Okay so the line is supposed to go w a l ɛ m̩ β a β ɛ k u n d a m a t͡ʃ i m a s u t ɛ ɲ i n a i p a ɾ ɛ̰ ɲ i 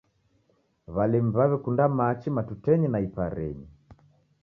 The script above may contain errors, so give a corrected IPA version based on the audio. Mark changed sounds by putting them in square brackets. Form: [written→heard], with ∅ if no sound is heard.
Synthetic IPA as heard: [w→β] a l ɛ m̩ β a β ɛ k u n d a m a t͡ʃ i m a [s→t] u t ɛ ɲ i n a i p a ɾ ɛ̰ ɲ i